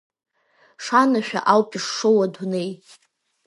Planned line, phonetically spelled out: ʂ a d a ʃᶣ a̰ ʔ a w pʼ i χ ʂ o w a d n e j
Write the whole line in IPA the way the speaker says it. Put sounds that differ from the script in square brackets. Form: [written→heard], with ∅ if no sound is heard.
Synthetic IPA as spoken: ʂ a [d→n] a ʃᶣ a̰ ʔ a w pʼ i [χ→ʂ] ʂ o w a d n e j